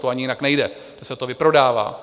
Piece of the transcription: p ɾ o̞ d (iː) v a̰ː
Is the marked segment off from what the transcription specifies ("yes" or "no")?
yes